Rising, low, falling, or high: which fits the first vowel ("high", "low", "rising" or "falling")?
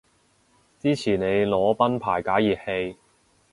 high